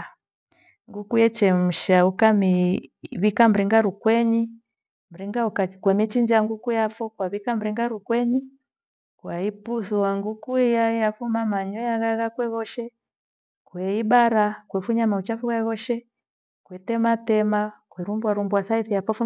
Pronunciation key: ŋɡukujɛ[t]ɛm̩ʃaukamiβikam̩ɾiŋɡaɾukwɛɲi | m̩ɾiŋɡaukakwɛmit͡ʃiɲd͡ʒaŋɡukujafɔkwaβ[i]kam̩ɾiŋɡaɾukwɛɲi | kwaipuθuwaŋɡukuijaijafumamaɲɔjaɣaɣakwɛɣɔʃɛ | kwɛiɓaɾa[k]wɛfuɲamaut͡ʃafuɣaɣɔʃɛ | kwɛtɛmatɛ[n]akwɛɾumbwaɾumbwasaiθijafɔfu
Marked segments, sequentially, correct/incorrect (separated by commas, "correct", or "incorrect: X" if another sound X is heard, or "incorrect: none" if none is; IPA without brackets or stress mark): incorrect: t͡ʃ, correct, correct, incorrect: m